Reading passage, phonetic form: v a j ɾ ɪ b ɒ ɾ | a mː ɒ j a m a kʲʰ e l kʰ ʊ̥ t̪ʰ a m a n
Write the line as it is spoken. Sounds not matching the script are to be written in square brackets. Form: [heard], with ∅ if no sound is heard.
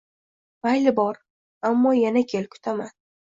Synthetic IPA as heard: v a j [l] ɪ b ɒ ɾ | a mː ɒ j a [n] a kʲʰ e l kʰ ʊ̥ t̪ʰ a m a n